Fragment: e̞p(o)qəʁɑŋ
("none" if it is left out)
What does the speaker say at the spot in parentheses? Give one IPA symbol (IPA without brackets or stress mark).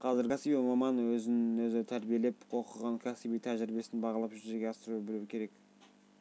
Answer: o